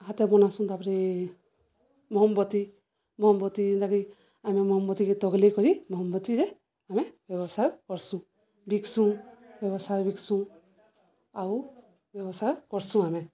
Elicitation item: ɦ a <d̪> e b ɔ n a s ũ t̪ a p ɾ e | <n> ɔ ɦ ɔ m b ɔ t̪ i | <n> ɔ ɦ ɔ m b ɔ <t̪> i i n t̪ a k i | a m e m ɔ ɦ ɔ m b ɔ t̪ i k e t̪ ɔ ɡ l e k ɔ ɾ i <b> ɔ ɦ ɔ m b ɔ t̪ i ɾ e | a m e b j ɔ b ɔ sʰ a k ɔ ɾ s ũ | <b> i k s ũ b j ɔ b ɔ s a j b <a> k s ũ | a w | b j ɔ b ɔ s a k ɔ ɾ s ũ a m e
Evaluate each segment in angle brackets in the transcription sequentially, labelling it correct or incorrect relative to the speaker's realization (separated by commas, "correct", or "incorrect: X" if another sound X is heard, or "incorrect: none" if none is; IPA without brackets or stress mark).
incorrect: t̪, incorrect: m, incorrect: m, correct, incorrect: m, correct, incorrect: i